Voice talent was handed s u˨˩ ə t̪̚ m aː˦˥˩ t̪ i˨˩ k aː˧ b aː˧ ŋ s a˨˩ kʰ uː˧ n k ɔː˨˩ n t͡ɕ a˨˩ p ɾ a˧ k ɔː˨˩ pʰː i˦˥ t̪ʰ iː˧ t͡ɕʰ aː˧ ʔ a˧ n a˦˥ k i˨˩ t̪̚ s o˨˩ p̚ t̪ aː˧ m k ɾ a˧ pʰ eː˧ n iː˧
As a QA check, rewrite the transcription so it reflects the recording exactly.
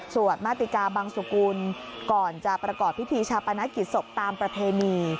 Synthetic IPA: s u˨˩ ə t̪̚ m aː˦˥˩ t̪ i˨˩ k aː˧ b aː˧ ŋ s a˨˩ k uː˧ n k ɔː˨˩ n t͡ɕ a˨˩ p ɾ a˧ k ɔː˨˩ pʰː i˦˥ t̪ʰ iː˧ t͡ɕʰ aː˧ p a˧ n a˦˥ k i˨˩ t̪̚ s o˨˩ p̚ t̪ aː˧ m p ɾ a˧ pʰ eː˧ n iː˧